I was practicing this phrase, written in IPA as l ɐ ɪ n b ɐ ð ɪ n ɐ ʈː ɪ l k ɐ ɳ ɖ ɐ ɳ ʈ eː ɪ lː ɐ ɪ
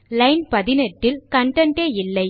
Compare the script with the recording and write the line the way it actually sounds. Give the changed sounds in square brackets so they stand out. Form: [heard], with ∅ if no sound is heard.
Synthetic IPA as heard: l ɐ ɪ n [p] ɐ ð ɪ n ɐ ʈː ɪ l k ɐ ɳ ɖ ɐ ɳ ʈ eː ɪ lː ɐ ɪ